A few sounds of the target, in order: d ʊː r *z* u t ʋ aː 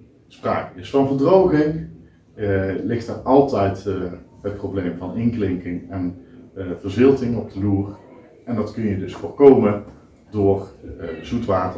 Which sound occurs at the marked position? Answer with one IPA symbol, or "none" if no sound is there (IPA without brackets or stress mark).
z